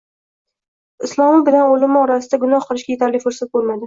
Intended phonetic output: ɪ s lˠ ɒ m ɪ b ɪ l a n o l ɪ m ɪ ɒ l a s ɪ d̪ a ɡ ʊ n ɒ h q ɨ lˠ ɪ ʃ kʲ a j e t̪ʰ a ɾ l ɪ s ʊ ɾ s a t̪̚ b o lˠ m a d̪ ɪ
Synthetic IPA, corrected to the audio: ɪ s lˠ ɒ m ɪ b ɪ l a n o l ɪ m ɪ ɒ ɾ a s ɪ d̪ a ɡ ʊ n ɒ h q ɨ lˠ ɪ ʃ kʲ a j e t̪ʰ a ɾ l ɪ f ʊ ɾ s a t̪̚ b o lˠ m a d̪ ɪ